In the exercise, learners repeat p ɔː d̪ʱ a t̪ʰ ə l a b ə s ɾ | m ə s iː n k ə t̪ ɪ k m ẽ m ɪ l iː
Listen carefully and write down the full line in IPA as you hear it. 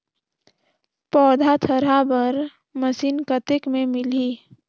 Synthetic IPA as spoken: p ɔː d̪ʱ a t̪ʰ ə ɾ a b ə ɾ | m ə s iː n k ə t̪ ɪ k m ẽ m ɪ l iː

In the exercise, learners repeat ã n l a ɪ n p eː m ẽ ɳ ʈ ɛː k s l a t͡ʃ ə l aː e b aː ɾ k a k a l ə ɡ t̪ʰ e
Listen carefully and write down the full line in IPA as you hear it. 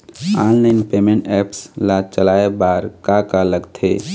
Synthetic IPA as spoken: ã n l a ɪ n p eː m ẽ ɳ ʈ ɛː p s l a t͡ʃ ə l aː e b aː ɾ k a k a l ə ɡ t̪ʰ e

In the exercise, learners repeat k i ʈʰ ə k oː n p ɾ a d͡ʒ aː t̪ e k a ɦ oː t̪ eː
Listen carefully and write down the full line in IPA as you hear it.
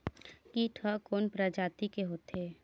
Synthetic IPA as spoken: k i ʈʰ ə k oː n p ɾ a d͡ʒ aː t̪ i k e ɦ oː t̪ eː

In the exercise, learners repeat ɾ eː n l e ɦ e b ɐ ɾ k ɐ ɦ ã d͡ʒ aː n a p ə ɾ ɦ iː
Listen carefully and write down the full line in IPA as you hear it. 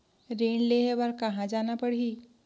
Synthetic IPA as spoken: ɾ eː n l e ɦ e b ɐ ɾ k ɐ ɦ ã d͡ʒ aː n a p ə ɽ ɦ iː

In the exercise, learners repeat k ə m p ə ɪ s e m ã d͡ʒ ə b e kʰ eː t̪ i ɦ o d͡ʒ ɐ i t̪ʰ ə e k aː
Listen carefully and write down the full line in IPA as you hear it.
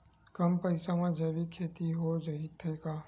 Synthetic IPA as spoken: k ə m p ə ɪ s a m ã d͡ʒ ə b i kʰ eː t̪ i ɦ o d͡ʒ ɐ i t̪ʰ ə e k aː

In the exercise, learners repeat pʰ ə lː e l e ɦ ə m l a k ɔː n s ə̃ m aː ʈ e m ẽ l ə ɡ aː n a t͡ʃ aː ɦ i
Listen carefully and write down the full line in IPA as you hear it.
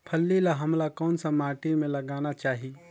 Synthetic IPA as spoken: pʰ ə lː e l a ɦ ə m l a k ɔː n s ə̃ m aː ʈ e m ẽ l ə ɡ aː n a t͡ʃ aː ɦ i

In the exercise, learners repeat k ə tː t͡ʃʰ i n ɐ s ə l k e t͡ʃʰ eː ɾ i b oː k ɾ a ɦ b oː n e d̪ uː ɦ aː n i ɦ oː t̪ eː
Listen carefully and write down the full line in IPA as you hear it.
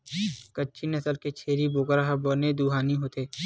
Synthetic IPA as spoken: k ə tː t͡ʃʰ i n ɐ s ə l k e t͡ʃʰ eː ɾ i b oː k ɾ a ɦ b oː n e d̪ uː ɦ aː n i ɦ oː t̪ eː

